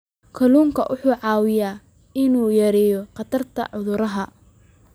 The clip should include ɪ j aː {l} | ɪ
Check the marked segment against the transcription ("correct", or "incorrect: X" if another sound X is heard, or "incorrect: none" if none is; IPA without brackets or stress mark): incorrect: none